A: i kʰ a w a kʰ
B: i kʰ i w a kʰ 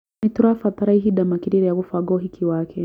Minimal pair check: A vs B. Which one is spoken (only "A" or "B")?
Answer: B